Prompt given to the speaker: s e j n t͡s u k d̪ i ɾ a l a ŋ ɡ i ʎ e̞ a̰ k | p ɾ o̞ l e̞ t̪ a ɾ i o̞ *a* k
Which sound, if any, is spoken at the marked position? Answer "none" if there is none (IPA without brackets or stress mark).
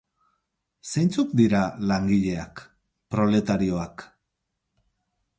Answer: a